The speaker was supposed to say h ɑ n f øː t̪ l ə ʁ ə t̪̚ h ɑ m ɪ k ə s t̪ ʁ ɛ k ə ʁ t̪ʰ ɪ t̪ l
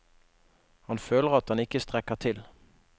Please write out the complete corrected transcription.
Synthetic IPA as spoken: h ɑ n f øː l ə ʁ ɑ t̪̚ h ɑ n ɪ k ə s t̪ ʁ ɛ k ə ʁ t̪ʰ ɪ l